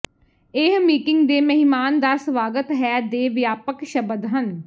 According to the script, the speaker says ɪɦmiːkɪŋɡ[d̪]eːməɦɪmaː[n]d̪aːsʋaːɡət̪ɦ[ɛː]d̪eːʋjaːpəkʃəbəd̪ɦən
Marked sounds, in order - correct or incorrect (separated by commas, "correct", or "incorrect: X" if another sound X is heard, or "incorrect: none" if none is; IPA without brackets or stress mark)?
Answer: correct, correct, correct